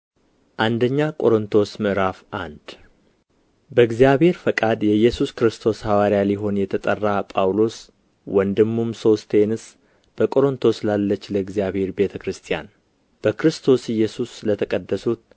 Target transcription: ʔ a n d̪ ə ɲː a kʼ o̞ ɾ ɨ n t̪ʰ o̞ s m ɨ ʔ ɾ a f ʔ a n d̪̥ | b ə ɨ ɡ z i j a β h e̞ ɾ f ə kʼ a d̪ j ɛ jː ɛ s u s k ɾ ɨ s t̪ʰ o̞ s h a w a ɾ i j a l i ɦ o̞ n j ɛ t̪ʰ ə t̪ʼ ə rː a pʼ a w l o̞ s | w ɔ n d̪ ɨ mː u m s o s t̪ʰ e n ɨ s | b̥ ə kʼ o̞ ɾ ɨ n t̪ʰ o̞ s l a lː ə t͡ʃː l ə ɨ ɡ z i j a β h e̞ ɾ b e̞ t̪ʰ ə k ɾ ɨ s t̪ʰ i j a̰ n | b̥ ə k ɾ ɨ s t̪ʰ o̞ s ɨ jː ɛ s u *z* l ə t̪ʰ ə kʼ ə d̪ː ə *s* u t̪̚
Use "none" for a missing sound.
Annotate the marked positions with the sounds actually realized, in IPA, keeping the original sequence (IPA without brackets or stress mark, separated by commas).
s, s